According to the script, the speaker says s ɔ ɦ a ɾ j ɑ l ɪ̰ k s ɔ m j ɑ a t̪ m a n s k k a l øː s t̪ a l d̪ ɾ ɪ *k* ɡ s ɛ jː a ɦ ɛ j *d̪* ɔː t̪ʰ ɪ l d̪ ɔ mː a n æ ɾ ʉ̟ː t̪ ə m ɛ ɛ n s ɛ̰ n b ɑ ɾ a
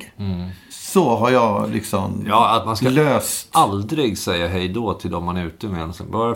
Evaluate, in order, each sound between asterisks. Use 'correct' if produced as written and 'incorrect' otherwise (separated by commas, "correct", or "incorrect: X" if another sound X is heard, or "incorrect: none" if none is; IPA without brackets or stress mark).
incorrect: none, correct